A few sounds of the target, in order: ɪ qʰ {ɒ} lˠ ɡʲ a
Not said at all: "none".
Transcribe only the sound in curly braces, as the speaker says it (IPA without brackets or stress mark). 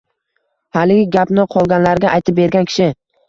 ɒ